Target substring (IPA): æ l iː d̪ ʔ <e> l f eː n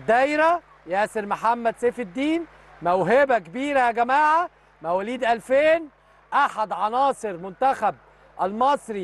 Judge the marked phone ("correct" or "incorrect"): incorrect